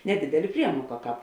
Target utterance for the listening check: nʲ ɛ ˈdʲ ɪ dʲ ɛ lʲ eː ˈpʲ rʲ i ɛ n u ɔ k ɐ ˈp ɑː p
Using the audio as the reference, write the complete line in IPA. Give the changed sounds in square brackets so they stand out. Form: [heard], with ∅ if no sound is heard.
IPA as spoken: nʲ ɛ ˈdʲ ɪ dʲ ɛ lʲ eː ˈpʲ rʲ i ɛ [m] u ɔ k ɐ [ˈk] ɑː p